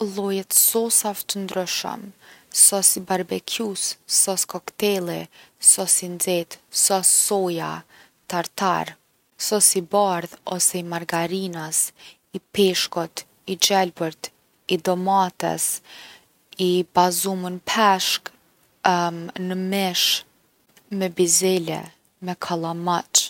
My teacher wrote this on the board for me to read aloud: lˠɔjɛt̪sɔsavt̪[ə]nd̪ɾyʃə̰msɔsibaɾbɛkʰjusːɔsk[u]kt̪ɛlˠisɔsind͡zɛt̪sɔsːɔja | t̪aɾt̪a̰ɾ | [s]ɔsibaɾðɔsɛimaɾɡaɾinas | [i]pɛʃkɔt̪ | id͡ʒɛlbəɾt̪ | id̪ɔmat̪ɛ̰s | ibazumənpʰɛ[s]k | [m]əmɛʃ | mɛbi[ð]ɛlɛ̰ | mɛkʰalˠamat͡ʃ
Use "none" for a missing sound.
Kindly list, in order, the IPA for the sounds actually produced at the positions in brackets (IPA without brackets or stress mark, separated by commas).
ə, ɔ, s, i, ʃ, n, z